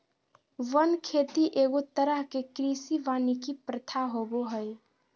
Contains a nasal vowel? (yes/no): no